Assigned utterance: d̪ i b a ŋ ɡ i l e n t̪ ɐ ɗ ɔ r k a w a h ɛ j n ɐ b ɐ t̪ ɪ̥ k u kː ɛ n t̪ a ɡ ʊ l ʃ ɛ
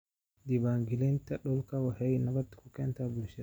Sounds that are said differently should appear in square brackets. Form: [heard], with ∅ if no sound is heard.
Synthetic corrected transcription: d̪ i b a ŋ ɡ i l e n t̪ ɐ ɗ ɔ [l] k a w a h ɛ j n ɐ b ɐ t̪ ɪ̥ k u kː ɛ n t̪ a [b] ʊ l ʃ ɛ